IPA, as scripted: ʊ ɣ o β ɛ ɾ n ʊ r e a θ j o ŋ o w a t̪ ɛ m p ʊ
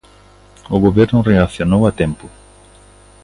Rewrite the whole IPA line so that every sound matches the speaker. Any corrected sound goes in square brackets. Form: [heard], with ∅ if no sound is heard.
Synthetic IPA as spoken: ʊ ɣ o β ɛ ɾ n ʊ r e a θ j o [n] o w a t̪ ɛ m p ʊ